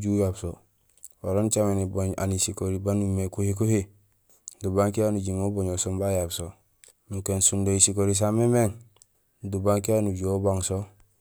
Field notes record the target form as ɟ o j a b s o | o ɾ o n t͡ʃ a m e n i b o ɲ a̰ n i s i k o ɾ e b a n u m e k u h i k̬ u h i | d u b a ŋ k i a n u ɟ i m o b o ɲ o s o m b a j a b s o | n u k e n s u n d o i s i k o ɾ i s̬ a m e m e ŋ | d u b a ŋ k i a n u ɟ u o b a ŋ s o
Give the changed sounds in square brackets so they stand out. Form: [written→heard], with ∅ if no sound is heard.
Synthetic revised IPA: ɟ [o→u] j a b s o | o ɾ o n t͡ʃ a m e n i b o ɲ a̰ n i s i k o ɾ [e→i] b a n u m e k u h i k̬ u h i | d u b a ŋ k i a n u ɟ i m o b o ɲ o s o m b a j a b s o | n u k e n s u n d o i s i k o ɾ i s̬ a m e m e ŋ | d u b a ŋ k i a n u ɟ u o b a ŋ s o

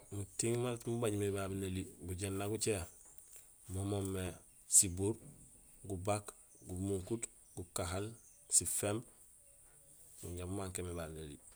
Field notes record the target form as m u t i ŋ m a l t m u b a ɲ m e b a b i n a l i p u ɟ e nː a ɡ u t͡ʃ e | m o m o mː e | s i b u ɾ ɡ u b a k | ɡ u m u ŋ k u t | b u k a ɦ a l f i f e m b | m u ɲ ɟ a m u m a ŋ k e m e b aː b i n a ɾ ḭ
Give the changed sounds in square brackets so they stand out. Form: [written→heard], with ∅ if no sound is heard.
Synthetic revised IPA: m u t i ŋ m a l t m u b a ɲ m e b a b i n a l i [p→b] u ɟ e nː a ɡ u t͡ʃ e | m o m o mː e | s i b u ɾ ɡ u b a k | ɡ u m u ŋ k u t | [b→ɡ] u k a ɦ a l [f→s] i f e m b | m u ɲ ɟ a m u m a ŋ k e m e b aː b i n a [ɾ→l] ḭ

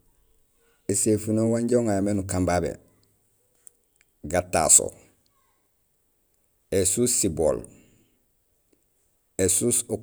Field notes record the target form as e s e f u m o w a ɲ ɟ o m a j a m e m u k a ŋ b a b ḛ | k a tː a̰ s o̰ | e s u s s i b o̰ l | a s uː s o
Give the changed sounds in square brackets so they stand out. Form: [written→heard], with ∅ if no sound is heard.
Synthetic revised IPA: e s e f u [m→n] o w a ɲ ɟ o [m→ŋ] a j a m e [m→n] u k a [ŋ→m] b a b ḛ | [k→ɡ] a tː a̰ s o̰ | e s u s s i b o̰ l | [a→e] s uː s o

